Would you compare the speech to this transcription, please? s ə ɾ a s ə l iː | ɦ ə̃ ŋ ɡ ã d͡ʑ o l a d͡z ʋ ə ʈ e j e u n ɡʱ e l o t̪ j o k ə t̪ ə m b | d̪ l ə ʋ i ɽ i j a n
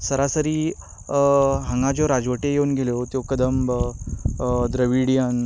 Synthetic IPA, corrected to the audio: s ə ɾ a s ə ɾ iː | ɦ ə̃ ŋ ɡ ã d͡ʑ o ɾ a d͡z ʋ ə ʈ e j e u n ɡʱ e l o t̪ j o k ə d̪ ə m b | d̪ ɾ ə ʋ i ɽ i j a n